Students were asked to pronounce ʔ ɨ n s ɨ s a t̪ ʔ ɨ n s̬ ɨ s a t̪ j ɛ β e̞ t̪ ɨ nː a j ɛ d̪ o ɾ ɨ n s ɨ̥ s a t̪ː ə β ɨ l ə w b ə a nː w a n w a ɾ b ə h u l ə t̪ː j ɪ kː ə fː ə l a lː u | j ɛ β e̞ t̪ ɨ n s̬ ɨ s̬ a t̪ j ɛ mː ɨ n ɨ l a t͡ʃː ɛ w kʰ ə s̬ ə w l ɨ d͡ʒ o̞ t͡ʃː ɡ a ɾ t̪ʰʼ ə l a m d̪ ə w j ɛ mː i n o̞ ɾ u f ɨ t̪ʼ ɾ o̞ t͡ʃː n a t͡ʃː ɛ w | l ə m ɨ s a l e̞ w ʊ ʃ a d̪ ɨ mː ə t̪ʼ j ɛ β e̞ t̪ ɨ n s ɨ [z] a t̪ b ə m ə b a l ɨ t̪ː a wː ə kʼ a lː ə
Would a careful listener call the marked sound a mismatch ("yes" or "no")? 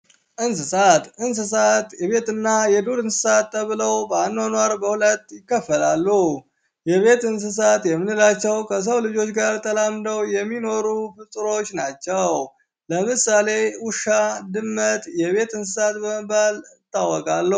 yes